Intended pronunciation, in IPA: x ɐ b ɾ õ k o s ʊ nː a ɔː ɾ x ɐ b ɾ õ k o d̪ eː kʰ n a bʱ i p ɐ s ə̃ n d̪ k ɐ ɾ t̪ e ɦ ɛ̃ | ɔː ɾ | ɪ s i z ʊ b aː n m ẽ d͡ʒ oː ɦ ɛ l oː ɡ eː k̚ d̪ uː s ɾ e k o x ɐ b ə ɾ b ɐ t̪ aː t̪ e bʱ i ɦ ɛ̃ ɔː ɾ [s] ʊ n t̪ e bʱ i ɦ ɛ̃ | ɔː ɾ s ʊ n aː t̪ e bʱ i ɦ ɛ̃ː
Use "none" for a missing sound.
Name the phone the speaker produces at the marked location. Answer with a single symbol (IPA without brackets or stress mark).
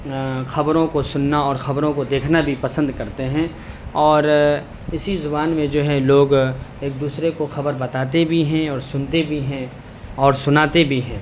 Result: s